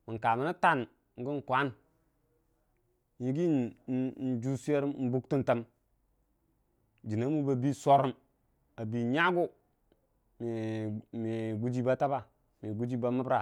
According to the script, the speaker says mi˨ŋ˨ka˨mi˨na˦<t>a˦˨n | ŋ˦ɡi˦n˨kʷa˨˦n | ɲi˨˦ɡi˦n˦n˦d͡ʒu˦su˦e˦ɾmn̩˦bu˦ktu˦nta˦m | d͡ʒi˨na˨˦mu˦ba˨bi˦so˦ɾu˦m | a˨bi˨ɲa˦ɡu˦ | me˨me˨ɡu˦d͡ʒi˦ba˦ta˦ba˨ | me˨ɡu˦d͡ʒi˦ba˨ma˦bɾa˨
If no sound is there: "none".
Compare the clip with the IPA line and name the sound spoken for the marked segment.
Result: t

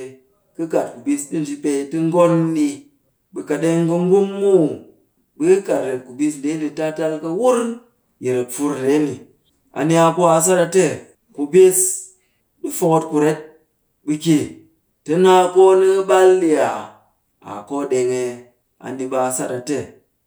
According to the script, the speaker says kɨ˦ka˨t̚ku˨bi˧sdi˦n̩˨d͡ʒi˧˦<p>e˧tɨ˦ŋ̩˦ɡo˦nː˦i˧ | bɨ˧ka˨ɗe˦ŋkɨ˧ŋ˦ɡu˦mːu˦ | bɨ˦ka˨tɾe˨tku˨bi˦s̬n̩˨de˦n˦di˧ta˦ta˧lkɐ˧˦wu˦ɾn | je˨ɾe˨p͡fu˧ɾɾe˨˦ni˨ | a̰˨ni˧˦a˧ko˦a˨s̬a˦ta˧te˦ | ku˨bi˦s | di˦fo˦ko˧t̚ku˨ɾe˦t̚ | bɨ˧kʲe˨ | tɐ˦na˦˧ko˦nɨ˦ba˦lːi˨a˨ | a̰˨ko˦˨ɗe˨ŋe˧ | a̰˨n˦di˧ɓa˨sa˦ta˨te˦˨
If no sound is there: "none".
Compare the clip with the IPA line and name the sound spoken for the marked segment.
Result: p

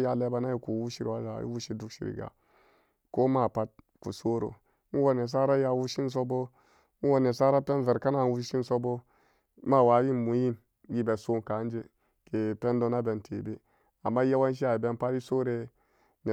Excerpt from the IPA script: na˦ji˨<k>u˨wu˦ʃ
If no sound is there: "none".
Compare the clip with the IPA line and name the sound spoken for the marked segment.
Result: k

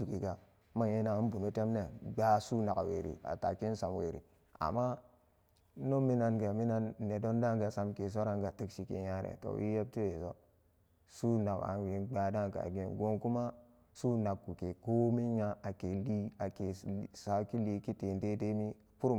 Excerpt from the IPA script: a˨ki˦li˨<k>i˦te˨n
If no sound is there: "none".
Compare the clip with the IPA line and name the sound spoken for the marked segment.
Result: k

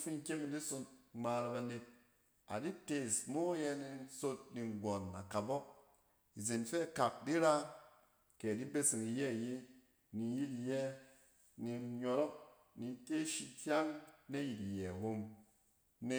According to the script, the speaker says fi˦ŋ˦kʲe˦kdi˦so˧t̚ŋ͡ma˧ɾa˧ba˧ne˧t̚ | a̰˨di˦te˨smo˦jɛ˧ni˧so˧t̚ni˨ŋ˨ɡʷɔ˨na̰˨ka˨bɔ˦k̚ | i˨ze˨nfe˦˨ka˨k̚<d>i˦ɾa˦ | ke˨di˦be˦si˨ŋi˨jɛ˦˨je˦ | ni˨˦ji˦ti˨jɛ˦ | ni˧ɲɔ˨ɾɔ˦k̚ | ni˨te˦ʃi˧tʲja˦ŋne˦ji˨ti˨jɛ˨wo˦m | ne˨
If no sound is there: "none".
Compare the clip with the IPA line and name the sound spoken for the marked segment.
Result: d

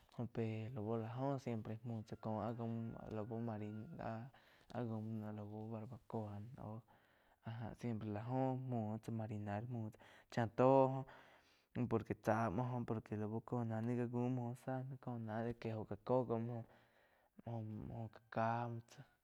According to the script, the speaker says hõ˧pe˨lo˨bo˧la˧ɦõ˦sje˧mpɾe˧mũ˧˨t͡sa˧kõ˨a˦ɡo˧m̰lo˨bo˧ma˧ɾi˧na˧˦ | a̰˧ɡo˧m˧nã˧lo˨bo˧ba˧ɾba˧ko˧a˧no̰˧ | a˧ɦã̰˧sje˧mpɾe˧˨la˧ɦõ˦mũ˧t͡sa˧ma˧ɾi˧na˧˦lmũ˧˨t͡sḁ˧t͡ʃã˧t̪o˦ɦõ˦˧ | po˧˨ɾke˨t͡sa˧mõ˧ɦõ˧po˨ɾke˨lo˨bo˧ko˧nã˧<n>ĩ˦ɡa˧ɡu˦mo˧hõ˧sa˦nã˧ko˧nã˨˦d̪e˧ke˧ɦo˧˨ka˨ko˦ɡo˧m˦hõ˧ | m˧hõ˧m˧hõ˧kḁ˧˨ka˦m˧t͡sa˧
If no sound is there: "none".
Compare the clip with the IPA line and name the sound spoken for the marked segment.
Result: n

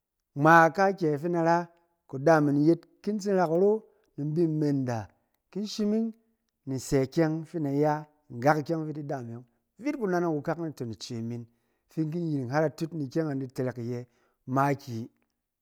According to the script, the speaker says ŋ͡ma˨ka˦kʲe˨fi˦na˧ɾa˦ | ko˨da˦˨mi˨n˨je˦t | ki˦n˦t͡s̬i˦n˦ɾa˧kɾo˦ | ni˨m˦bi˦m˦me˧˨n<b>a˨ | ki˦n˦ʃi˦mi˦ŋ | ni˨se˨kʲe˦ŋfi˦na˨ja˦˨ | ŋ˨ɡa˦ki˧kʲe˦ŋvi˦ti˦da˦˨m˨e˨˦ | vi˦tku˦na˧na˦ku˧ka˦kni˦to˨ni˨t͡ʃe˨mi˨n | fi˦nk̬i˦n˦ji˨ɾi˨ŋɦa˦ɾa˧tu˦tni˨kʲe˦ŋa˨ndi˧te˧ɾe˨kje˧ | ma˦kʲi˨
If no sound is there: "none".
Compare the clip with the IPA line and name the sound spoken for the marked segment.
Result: d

